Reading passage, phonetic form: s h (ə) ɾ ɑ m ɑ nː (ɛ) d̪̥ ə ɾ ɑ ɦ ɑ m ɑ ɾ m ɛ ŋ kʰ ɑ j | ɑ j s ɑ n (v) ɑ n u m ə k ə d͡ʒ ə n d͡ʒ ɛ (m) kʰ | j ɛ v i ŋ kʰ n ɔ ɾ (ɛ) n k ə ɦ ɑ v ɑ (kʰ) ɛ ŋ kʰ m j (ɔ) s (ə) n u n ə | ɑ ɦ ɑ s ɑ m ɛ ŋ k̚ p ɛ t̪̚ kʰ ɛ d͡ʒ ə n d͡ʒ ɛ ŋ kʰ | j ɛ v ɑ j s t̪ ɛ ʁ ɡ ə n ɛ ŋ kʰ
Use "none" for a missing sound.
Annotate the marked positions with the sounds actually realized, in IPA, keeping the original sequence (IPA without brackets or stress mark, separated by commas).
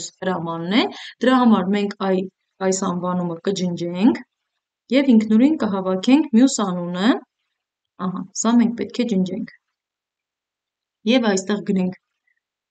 ə, ɛ, v, ŋ, i, kʰ, u, ɑ